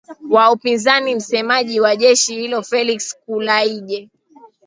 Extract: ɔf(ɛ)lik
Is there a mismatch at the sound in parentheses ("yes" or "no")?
no